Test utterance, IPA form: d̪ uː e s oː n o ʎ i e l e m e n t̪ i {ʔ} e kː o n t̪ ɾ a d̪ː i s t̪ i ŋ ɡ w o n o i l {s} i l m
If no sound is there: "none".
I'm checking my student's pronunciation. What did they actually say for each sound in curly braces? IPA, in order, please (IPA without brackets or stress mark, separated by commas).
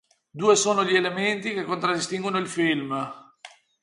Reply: k, f